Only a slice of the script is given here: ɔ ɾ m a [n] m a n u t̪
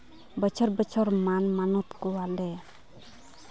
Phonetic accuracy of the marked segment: correct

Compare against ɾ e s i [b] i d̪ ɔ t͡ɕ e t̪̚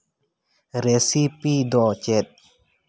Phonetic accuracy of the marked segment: incorrect: p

